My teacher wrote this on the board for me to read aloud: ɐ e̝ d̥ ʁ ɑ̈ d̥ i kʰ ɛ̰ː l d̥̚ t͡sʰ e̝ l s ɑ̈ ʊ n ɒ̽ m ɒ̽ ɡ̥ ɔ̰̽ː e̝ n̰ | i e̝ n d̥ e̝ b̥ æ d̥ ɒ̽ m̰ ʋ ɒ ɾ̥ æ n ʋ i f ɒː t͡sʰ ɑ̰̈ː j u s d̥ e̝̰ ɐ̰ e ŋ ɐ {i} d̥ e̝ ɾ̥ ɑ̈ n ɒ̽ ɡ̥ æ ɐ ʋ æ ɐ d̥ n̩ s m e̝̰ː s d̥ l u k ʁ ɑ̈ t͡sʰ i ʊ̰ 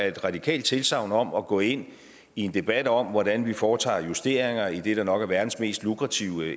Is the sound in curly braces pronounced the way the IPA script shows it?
yes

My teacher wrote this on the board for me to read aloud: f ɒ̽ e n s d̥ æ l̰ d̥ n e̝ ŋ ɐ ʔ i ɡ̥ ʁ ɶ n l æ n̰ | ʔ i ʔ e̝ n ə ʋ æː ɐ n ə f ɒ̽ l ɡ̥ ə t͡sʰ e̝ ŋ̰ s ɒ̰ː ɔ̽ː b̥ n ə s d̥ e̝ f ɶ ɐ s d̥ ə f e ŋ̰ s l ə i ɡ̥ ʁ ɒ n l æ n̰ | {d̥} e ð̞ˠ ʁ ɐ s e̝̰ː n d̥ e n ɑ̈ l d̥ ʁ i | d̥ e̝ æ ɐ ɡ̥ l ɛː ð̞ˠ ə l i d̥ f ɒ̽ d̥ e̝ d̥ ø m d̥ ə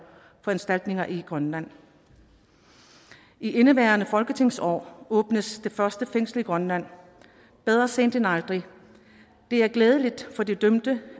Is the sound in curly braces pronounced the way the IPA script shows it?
no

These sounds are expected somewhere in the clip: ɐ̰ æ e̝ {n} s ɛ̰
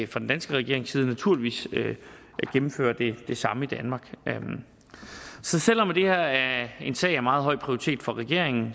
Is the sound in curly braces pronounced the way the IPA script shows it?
yes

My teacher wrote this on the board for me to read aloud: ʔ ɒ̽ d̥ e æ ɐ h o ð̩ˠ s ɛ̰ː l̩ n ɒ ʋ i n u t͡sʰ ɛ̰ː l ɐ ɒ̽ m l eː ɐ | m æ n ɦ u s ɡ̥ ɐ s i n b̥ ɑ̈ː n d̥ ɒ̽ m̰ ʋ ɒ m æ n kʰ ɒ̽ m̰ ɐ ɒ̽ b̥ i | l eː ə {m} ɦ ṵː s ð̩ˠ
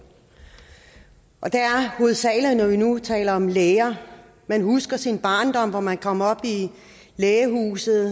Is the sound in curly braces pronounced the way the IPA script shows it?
no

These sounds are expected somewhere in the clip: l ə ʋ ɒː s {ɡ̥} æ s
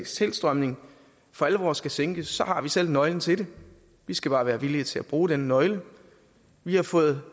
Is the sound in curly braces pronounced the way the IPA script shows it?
yes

